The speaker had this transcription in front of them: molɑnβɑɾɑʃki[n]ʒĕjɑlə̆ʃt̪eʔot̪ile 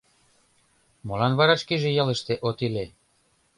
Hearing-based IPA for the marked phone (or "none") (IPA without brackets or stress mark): none